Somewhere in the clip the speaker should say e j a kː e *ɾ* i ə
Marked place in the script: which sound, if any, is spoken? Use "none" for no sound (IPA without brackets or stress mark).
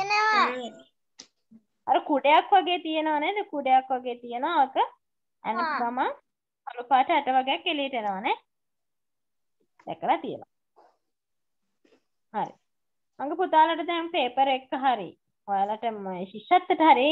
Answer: l